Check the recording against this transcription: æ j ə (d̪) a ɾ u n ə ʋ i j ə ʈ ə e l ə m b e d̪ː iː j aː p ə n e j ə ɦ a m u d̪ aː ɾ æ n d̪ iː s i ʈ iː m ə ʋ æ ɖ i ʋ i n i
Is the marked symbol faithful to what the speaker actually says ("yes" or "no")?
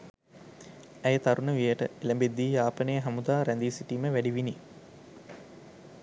no